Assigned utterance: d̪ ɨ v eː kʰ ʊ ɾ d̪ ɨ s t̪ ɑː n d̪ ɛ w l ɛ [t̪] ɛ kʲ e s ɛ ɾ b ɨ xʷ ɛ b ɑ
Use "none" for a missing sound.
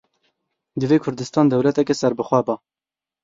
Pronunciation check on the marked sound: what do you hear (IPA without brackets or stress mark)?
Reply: t̪